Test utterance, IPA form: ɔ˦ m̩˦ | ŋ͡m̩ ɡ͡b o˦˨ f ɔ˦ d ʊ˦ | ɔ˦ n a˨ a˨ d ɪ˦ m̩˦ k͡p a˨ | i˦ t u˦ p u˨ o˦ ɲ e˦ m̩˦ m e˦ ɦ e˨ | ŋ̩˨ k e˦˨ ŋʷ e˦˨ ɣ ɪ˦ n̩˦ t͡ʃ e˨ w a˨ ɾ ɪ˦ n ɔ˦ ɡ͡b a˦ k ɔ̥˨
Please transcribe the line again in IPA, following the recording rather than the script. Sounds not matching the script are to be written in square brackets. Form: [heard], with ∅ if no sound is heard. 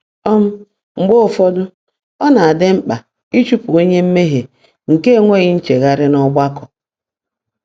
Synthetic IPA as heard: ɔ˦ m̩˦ | ŋ͡m̩ ɡ͡b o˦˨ f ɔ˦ d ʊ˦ | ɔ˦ n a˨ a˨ d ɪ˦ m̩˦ k͡p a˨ | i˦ [t͡ʃ] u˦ p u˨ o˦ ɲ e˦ m̩˦ m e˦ ɦ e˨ | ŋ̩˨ k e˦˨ ŋʷ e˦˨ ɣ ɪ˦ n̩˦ t͡ʃ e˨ [ɣ] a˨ ɾ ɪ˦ n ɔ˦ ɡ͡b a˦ k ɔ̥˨